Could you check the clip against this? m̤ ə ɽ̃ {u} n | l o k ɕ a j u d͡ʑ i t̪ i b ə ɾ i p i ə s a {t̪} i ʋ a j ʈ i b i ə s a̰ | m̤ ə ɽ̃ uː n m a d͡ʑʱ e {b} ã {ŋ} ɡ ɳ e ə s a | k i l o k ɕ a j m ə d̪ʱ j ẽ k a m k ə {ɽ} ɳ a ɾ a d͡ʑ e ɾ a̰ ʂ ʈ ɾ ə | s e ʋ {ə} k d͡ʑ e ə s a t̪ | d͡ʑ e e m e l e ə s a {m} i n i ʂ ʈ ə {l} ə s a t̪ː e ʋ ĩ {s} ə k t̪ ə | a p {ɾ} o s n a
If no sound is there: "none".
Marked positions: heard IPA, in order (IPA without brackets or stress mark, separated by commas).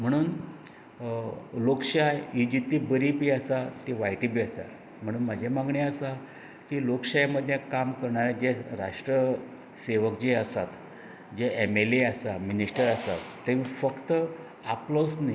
uː, t̪, m, ŋ, ɾ, ə, m, ɾ, f, l